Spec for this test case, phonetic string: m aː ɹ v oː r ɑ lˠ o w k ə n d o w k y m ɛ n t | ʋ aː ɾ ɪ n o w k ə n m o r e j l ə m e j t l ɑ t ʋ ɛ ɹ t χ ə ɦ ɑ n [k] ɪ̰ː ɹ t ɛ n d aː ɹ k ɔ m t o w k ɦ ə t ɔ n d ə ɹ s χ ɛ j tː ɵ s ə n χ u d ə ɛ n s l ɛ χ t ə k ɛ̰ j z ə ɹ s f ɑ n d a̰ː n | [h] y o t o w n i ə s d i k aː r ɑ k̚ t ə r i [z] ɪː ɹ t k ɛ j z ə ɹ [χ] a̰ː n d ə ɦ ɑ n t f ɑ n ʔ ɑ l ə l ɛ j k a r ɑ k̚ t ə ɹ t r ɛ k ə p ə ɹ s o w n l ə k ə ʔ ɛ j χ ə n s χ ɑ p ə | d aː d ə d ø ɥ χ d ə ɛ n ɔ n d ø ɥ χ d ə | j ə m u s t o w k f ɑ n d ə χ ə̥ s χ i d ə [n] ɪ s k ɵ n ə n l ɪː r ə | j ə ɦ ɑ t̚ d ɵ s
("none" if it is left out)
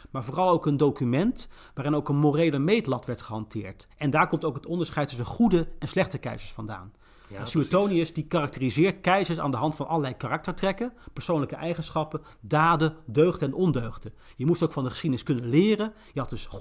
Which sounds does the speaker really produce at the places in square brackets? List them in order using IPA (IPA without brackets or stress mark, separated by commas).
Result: t, s, z, s, n